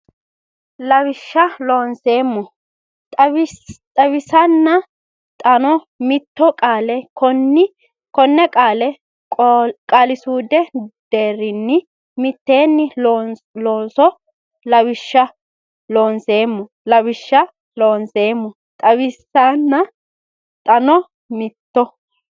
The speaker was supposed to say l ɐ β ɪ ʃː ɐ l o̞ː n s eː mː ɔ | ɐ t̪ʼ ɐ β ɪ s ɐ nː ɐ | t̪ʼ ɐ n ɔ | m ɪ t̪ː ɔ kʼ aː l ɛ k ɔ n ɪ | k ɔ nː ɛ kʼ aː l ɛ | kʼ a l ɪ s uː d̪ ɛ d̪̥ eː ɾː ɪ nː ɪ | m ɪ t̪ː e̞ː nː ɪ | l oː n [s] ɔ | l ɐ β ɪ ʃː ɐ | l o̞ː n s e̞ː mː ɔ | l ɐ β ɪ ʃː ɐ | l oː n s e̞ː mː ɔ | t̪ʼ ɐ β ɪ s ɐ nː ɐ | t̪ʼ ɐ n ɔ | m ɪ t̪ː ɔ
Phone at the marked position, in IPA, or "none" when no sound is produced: s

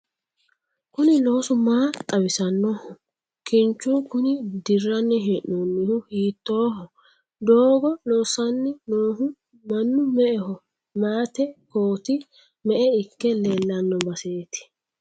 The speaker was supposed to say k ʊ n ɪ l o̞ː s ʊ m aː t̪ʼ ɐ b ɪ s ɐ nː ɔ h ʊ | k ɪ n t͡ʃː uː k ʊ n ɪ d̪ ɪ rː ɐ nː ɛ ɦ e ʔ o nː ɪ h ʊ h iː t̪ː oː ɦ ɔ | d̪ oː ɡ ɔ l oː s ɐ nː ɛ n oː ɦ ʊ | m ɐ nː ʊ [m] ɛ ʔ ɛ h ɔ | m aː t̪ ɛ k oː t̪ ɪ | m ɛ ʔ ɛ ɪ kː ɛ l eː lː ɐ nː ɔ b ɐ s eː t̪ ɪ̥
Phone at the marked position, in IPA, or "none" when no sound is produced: m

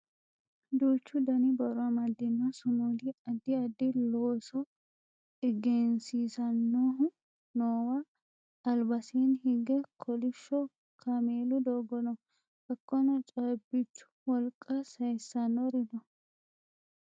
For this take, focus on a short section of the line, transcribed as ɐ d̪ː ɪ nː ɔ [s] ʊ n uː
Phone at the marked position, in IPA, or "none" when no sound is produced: s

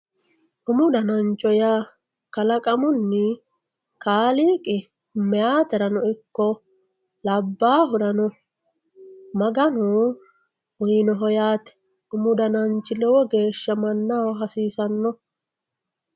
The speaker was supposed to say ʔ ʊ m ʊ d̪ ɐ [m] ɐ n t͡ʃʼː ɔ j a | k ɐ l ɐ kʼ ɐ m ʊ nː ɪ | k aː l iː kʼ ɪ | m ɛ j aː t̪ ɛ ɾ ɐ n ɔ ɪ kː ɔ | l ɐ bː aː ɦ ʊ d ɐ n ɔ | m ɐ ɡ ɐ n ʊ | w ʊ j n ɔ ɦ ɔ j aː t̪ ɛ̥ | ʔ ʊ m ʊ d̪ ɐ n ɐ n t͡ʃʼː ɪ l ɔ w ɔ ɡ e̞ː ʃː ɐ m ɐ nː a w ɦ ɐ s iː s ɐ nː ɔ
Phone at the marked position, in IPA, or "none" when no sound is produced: n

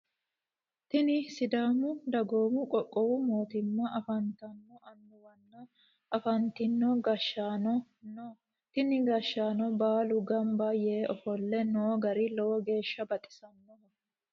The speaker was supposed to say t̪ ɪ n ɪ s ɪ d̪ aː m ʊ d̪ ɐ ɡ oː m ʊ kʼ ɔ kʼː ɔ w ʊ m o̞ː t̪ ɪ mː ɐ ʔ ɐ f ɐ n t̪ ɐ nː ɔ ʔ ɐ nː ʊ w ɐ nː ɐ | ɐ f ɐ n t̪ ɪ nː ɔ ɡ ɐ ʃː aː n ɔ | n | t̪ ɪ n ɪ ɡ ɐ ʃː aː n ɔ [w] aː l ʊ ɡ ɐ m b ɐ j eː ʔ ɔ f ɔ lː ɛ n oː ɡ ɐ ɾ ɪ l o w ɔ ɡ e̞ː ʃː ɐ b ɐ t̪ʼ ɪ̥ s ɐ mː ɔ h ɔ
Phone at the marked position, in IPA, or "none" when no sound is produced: b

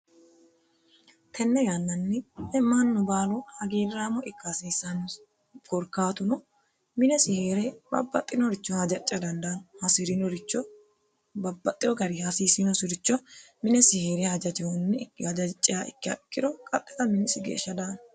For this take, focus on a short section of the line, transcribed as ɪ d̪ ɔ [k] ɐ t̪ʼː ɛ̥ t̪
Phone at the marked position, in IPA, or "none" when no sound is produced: kʼ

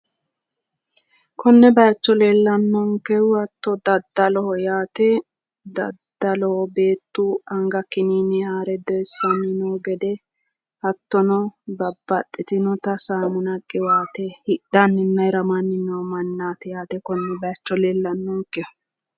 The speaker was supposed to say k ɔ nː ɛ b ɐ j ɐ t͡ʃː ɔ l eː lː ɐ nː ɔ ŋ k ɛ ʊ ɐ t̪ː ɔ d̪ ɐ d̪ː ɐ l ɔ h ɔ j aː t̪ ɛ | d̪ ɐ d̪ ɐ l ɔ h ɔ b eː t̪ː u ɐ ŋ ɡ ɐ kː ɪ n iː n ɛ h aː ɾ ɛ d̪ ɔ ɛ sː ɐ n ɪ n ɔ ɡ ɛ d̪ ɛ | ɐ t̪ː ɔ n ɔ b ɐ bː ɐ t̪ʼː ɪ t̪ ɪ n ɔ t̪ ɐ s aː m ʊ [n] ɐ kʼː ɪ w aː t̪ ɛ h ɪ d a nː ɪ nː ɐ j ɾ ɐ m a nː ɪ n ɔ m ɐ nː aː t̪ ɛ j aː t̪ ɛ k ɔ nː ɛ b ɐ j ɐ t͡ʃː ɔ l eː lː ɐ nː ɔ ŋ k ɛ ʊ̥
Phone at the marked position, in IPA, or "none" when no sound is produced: n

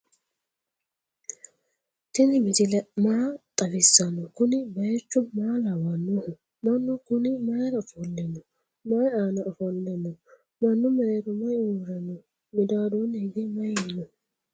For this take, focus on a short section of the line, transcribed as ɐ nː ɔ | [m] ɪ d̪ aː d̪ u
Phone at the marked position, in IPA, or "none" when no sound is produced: m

